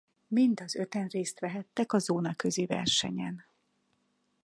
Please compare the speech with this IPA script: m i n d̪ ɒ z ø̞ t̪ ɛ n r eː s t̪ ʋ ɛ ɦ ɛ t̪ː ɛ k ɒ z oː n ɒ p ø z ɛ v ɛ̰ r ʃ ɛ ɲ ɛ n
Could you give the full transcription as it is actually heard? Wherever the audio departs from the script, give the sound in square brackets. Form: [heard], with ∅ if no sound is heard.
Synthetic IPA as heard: m i n d̪ ɒ z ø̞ t̪ ɛ n r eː s t̪ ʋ ɛ ɦ ɛ t̪ː ɛ k ɒ z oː n ɒ [k] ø z [i] v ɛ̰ r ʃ ɛ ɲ ɛ n